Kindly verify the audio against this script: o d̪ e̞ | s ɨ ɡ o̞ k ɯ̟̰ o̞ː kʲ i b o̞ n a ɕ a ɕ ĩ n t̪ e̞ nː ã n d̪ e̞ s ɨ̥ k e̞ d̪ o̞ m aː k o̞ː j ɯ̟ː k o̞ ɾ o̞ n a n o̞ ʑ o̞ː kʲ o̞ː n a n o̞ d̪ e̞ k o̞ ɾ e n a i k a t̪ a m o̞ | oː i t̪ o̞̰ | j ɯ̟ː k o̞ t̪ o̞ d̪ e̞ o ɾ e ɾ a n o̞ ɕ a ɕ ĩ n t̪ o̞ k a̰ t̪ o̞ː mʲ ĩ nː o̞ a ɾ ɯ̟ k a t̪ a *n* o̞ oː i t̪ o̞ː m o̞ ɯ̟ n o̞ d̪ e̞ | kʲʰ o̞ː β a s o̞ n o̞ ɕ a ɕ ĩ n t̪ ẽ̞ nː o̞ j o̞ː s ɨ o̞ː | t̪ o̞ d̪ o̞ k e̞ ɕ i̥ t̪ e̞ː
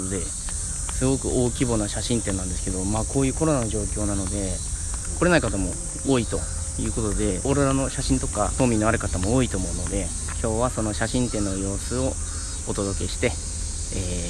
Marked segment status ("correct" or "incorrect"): incorrect